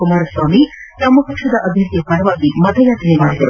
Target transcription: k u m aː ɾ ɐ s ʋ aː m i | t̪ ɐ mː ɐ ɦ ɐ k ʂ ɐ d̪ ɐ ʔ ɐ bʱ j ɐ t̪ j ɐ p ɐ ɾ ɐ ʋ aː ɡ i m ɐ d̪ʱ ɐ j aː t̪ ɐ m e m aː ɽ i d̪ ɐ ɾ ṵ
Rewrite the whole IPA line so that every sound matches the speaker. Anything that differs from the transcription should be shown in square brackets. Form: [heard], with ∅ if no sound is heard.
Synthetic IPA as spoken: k u m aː ɾ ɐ s ʋ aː m i | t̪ ɐ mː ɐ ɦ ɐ k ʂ ɐ d̪ ɐ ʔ ɐ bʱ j ɐ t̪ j ɐ p ɐ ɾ ɐ ʋ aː ɡ i m ɐ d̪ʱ ɐ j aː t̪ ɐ [n] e m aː ɽ i d̪ ɐ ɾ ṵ